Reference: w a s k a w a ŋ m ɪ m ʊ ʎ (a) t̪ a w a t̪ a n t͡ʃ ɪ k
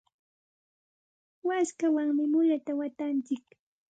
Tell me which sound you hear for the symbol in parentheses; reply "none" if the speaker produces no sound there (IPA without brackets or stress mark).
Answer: a